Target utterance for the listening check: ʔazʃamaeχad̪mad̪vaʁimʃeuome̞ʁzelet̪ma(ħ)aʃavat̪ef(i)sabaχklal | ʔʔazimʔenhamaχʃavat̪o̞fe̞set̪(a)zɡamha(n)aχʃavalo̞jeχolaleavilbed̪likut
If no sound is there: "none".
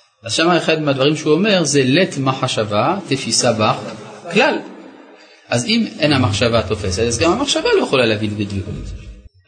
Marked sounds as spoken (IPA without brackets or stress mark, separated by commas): ħ, i, a, m